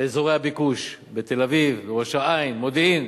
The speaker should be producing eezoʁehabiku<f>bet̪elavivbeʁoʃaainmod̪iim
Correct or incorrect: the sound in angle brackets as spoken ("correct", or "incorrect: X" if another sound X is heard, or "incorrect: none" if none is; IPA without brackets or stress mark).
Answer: incorrect: ʃ